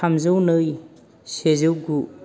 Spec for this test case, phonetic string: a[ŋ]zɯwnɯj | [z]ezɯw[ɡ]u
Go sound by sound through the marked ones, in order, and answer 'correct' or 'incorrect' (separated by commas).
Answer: incorrect, incorrect, correct